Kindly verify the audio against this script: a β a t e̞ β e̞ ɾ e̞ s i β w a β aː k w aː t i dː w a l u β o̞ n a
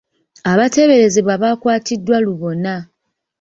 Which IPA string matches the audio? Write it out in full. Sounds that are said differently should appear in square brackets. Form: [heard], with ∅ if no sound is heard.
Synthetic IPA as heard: a β a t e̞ β e̞ ɾ e̞ [z] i β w a β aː k w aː t i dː w a l u β o̞ n a